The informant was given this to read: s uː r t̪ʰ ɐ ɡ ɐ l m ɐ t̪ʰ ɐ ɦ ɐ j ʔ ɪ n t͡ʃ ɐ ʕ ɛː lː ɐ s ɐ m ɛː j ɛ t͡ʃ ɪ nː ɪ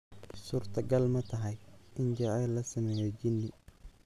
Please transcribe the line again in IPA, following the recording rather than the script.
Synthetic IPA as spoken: s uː r t̪ʰ ɐ ɡ ɐ l m ɐ t̪ʰ ɐ ɦ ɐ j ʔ ɪ n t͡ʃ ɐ ʕ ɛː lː ɐ s ɐ m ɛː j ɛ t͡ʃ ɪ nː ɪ